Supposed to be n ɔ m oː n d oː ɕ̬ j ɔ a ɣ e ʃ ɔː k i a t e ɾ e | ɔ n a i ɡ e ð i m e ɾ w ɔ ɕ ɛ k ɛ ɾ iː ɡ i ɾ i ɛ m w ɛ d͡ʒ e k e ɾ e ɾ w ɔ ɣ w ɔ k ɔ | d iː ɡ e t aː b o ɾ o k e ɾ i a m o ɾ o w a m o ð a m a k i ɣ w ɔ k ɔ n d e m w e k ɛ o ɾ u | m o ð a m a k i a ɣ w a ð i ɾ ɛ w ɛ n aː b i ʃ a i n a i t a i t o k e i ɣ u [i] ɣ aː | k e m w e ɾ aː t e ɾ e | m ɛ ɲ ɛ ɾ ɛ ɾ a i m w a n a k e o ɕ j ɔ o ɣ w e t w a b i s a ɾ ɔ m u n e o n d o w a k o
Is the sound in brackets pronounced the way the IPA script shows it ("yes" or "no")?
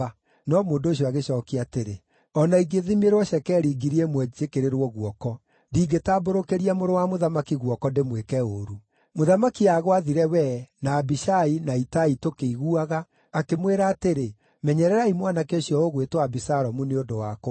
no